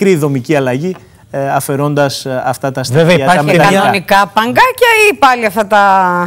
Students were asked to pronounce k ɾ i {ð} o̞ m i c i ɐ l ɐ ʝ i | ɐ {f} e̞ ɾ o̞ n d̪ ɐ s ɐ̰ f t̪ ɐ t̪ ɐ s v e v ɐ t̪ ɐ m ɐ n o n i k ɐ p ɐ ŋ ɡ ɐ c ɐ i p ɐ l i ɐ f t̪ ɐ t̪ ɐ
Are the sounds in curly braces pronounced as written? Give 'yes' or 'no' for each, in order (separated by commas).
yes, yes